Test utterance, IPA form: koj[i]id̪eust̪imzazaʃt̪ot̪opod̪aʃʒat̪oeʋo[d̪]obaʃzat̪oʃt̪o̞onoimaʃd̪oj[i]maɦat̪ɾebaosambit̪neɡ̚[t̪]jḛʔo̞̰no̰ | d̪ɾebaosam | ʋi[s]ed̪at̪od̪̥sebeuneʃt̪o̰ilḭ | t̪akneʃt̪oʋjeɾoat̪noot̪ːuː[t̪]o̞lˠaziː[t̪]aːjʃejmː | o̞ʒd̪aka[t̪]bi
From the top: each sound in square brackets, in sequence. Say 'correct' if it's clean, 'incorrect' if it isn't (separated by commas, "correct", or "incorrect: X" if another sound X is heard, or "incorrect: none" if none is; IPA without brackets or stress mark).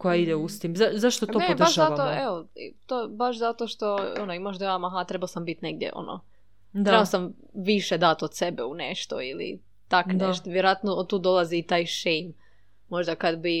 incorrect: a, incorrect: t̪, incorrect: a, incorrect: d̪, incorrect: ʃ, incorrect: d̪, correct, incorrect: d̪